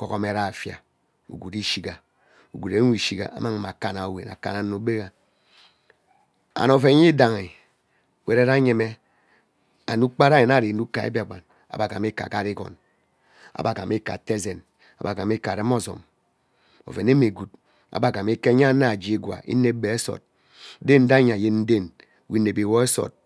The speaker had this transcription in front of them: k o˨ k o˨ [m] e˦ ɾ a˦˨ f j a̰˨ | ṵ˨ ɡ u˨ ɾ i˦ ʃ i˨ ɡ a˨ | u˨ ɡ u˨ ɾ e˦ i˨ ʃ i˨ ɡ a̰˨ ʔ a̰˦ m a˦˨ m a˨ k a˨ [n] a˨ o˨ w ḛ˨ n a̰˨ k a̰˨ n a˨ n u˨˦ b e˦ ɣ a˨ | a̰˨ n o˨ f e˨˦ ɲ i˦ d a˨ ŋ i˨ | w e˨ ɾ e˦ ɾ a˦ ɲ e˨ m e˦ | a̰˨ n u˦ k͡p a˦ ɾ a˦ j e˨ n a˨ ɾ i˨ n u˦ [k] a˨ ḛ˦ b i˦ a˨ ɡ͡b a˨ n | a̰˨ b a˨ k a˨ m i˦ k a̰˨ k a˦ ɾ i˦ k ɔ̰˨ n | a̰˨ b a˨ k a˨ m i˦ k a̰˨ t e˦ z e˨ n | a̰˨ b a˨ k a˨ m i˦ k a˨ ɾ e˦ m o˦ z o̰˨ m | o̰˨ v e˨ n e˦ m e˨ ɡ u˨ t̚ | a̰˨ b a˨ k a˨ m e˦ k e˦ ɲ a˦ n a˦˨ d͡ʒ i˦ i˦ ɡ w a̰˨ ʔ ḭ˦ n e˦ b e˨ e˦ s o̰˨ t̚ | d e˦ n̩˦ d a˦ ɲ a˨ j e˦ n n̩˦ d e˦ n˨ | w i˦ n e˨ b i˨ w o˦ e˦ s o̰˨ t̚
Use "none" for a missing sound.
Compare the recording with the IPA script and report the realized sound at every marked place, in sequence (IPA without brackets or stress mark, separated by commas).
m, n, k